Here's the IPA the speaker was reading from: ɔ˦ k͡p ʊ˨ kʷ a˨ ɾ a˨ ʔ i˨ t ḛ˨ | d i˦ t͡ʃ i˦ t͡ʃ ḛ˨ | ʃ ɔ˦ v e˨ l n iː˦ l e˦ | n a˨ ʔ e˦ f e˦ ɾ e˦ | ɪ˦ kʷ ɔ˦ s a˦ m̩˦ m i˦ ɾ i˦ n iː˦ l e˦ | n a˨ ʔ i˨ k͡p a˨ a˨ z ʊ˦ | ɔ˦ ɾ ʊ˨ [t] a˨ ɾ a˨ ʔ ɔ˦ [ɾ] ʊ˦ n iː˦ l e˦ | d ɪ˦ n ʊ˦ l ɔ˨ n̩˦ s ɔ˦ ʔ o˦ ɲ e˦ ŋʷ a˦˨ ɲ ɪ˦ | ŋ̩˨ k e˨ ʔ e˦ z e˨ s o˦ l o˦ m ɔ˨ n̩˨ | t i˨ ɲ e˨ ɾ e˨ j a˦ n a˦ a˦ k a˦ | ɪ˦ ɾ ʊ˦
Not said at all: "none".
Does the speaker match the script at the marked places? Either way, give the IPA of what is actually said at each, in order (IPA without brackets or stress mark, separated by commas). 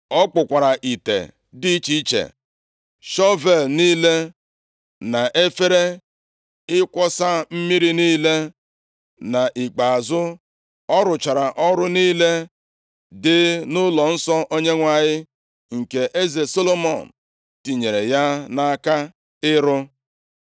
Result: t͡ʃ, ɾ